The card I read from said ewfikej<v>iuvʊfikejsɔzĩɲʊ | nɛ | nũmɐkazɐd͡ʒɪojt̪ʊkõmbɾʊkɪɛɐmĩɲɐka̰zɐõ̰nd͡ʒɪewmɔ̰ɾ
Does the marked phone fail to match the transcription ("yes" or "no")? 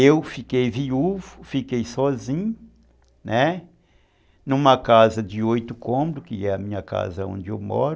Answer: no